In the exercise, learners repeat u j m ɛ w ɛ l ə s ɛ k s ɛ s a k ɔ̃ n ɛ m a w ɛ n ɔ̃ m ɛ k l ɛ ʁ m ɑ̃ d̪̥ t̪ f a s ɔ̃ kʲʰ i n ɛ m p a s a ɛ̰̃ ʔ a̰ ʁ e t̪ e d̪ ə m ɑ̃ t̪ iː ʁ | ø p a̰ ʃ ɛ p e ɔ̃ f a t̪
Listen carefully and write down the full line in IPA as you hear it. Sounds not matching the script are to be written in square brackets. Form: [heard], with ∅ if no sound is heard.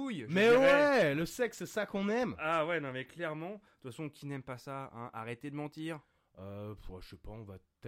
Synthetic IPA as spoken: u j m ɛ w ɛ l ə s ɛ k s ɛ s a k ɔ̃ n ɛ m a w ɛ n ɔ̃ m ɛ k l ɛ ʁ m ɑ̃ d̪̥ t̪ f a s ɔ̃ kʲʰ i n ɛ m p a s a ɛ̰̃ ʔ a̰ ʁ e t̪ e d̪ ə m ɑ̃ t̪ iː ʁ | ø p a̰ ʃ ɛ p [a] ɔ̃ [v] a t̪